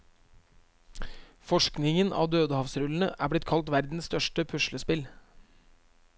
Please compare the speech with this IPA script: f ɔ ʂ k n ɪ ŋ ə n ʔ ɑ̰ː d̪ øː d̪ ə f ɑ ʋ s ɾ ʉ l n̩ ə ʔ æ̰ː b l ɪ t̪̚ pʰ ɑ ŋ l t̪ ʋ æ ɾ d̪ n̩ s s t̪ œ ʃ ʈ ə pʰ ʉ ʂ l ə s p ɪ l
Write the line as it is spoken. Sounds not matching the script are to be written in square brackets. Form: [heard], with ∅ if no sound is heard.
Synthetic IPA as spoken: f ɔ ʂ k n ɪ ŋ ə n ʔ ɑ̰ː d̪ øː d̪ ə [h] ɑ ʋ s ɾ ʉ l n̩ ə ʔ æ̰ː b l ɪ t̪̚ [kʰ] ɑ [∅] l t̪ ʋ æ ɾ d̪ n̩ s s t̪ œ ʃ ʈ ə pʰ ʉ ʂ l ə s p ɪ l